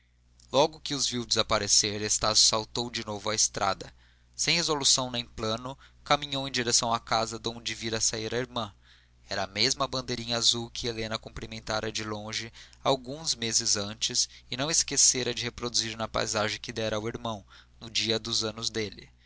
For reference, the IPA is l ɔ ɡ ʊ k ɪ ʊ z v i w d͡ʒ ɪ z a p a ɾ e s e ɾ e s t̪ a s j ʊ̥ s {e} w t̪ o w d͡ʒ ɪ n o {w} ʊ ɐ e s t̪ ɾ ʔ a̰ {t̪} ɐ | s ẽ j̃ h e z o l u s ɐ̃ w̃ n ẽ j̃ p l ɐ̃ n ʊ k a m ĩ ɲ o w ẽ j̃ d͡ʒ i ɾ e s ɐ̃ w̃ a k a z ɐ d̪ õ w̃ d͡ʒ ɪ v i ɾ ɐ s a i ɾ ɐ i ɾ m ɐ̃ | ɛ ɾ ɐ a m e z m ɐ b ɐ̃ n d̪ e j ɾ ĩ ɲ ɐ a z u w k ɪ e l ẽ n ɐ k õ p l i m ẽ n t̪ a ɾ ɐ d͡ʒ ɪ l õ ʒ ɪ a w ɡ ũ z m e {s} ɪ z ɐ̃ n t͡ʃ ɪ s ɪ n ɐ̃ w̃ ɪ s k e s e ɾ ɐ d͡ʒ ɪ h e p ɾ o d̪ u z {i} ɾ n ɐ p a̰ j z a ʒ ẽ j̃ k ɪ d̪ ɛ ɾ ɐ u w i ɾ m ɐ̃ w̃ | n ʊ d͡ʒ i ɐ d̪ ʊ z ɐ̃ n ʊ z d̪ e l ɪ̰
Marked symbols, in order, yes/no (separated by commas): no, no, no, no, yes